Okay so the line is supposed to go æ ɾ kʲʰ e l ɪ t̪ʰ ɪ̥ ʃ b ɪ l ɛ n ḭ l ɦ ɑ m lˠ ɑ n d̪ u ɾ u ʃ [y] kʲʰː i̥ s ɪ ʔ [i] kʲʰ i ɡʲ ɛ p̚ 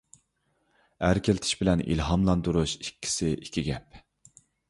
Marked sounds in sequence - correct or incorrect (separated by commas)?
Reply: incorrect, correct